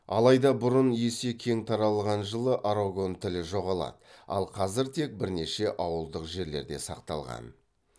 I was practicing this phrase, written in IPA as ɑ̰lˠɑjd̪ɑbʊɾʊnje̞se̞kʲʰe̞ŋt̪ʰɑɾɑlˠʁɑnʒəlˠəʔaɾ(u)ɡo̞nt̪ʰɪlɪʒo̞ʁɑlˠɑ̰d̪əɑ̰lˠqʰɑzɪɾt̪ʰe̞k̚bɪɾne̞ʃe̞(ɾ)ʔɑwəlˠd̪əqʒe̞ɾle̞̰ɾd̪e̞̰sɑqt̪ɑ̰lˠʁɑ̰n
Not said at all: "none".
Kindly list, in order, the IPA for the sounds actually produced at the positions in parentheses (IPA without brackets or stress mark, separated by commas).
o, none